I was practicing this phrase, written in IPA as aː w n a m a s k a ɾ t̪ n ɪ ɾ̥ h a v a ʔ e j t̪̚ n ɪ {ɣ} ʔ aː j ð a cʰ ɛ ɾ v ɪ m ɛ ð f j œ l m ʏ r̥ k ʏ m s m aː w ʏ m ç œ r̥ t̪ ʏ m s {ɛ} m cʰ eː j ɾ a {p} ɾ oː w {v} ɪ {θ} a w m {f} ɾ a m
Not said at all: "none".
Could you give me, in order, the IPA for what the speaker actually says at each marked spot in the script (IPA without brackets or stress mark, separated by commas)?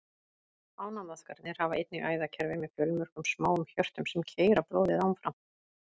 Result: ɣ, ɛ, p, ð, ð, f